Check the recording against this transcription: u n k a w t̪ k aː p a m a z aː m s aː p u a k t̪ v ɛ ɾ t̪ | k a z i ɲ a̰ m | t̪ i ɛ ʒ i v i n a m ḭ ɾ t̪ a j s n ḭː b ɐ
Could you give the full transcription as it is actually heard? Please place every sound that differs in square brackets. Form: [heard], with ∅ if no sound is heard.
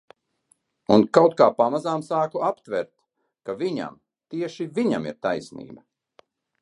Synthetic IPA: u n k a w t̪ k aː p a m a z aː m s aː [k] u a [p] t̪ v ɛ ɾ t̪ | k a [v] i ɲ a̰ m | t̪ i ɛ [ʃ] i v i [ɲ] a m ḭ ɾ t̪ a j s n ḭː b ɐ